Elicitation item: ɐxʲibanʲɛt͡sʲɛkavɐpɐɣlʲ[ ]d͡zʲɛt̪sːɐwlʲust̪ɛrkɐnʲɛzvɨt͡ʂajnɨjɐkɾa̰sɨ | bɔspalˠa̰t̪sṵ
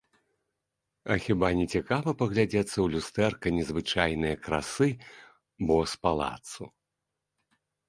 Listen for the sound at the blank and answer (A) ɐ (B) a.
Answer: B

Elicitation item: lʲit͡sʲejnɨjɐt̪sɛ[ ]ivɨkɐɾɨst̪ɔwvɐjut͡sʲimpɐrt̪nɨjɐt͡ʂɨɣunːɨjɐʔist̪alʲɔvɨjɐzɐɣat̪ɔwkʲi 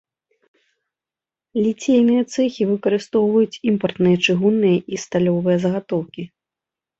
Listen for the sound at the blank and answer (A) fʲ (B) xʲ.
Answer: B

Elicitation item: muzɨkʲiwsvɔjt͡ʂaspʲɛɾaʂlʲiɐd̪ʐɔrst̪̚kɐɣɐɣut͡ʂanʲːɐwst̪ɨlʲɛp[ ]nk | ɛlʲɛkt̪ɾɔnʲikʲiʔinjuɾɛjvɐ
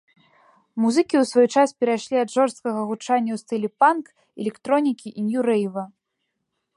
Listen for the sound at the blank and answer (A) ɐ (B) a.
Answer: B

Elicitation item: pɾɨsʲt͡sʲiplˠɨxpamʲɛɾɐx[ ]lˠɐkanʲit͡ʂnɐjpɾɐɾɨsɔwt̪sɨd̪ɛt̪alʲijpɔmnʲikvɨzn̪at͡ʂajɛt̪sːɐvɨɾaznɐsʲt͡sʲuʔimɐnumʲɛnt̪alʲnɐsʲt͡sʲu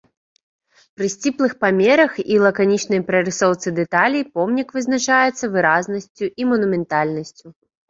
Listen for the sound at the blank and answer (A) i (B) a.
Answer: A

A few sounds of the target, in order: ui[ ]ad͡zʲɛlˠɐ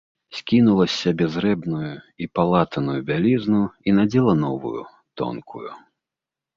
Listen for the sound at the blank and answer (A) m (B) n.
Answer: B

